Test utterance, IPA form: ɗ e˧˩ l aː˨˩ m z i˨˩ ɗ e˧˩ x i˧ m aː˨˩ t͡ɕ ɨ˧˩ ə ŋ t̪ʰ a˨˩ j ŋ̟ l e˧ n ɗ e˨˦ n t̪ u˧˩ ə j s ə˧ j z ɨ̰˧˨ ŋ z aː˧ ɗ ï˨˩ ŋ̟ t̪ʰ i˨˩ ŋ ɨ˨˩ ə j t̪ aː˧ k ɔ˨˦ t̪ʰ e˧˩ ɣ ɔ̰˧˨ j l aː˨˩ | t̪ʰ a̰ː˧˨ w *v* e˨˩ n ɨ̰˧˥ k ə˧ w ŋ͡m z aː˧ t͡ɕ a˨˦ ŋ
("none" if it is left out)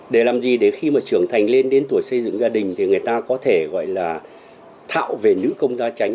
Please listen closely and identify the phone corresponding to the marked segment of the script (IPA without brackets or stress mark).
v